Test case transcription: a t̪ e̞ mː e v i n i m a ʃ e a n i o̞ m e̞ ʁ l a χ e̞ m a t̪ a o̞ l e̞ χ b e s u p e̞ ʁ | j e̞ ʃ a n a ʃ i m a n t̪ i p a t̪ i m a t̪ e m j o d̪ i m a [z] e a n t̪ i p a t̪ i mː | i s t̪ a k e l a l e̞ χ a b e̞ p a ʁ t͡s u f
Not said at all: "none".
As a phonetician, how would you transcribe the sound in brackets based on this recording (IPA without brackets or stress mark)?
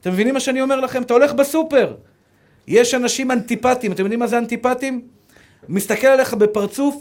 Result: z